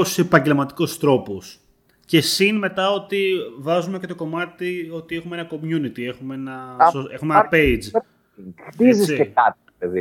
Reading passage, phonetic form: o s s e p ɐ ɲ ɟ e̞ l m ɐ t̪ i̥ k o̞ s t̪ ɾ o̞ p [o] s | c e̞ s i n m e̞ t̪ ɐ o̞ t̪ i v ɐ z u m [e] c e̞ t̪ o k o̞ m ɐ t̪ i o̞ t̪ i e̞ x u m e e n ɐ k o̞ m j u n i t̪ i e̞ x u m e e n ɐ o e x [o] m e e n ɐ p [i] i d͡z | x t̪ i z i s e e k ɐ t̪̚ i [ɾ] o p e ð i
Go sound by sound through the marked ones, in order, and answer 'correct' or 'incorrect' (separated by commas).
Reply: correct, correct, incorrect, incorrect, incorrect